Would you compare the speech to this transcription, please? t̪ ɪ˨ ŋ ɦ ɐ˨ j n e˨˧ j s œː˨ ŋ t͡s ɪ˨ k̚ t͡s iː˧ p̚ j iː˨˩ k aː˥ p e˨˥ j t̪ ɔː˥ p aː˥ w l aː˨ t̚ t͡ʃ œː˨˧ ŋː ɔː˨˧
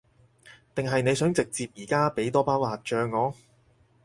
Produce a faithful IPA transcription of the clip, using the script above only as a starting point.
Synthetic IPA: t̪ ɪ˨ ŋ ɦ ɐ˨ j n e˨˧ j s œː˨˥ ŋ t͡s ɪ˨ k̚ t͡s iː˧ p̚ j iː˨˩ k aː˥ p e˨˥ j t̪ ɔː˥ p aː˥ w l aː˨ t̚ t͡ʃ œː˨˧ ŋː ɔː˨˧

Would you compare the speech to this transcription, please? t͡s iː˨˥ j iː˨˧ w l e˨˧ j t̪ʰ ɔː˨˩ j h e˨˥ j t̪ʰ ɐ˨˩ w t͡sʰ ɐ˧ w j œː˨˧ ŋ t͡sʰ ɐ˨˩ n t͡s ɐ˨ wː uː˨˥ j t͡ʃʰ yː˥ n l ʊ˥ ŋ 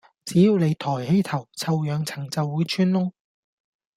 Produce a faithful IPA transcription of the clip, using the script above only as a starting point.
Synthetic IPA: t͡s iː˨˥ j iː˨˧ w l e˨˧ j t̪ʰ ɔː˨˩ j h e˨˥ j t̪ʰ ɐ˨˩ w t͡sʰ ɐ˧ w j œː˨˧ ŋ t͡sʰ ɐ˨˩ ŋ t͡s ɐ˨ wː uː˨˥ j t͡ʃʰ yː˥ n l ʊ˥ ŋ

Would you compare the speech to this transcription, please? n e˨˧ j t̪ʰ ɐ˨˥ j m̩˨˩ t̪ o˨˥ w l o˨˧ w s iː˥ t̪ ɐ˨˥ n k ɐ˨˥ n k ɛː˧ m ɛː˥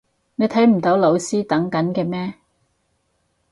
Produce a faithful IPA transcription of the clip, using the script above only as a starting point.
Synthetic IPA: n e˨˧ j t̪ʰ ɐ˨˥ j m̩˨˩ t̪ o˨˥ w l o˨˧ w s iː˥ t̪ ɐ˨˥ ŋ k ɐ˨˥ n k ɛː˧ m ɛː˥

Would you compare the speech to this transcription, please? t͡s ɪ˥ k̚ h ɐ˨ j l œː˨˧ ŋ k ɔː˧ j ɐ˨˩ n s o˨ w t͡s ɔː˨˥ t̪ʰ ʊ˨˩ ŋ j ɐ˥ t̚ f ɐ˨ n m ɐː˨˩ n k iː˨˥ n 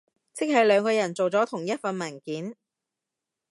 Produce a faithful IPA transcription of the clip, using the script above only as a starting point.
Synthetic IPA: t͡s ɪ˥ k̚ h ɐ˨ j l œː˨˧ ŋ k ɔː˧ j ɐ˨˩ n t͡s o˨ w t͡s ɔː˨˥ t̪ʰ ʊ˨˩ ŋ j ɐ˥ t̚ f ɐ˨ n m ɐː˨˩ n k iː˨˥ n

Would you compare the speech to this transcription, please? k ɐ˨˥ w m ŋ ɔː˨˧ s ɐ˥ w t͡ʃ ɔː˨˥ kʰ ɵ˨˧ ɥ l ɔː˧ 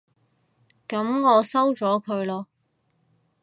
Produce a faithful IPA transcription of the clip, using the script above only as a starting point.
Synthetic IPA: k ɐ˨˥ m ŋ ɔː˨˧ s ɐ˥ w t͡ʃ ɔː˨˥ kʰ ɵ˨˧ ɥ l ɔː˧

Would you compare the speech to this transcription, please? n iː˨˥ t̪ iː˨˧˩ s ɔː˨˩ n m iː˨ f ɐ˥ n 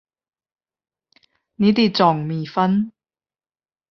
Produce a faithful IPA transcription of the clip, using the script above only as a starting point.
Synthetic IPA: n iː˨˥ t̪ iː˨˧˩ t͡s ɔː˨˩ ŋ m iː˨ f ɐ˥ n

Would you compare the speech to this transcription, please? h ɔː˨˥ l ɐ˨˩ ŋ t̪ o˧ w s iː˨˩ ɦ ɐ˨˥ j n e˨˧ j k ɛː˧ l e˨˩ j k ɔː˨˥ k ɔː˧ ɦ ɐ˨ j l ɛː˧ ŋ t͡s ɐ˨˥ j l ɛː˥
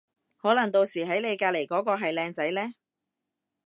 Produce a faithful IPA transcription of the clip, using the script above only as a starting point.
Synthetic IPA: h ɔː˨˥ l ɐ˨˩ ŋ t̪ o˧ w s iː˨˩ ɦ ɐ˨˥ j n e˨˧ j k aː˧ l e˨˩ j k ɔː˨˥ k ɔː˧ ɦ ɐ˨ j l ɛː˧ ŋ t͡s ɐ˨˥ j l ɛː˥

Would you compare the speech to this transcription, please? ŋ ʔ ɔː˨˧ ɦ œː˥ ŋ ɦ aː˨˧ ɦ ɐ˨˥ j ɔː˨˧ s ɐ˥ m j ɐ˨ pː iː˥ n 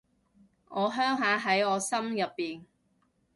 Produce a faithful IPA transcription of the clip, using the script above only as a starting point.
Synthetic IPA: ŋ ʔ ɔː˨˧ ɦ œː˥ ŋ ɦ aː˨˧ ɦ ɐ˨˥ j ɔː˨˧ s ɐ˥ m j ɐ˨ pː iː˨ n

